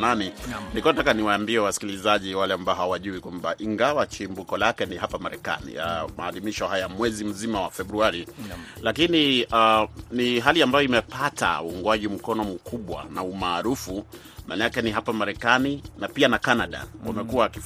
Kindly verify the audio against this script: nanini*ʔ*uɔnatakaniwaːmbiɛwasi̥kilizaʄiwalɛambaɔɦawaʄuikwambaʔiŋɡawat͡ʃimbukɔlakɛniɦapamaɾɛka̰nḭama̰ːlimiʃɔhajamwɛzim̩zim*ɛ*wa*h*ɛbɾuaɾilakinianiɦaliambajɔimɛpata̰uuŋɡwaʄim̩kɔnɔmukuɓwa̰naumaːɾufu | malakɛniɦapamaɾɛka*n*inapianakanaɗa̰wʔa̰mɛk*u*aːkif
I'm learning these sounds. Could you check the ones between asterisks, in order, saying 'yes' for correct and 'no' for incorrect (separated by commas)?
no, no, no, yes, yes